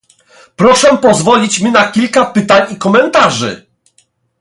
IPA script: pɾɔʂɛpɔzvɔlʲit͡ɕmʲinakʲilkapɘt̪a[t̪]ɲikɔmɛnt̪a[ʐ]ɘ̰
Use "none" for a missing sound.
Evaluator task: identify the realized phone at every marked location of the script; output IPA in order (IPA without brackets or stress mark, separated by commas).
none, ʐ